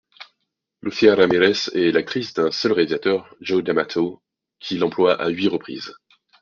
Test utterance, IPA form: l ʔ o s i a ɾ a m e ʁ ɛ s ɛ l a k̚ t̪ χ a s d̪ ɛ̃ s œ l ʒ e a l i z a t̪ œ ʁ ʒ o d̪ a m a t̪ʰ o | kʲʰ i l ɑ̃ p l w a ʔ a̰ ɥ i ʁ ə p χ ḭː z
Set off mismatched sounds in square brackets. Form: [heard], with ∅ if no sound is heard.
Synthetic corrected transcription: l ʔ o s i a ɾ a m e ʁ ɛ s ɛ l a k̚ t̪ χ [i] s d̪ ɛ̃ s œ l [ʁ] e a l i z a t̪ œ ʁ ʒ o d̪ a m a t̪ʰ o | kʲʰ i l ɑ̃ p l w a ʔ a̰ ɥ i ʁ ə p χ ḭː z